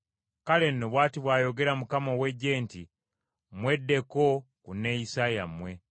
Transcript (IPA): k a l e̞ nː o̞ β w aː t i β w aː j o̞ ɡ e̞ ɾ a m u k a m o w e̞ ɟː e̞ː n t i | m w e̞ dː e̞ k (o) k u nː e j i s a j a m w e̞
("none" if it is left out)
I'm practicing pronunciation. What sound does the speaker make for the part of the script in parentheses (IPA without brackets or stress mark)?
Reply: o